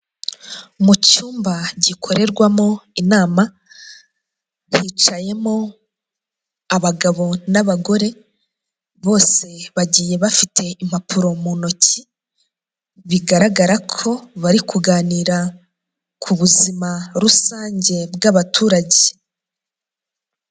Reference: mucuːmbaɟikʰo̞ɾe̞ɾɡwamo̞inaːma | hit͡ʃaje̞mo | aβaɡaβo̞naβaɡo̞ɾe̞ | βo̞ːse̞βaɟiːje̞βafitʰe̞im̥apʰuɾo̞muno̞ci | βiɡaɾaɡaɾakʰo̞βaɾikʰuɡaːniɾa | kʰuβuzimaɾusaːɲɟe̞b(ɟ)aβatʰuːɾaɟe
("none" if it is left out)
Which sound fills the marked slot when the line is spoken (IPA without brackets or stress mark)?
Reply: ɡ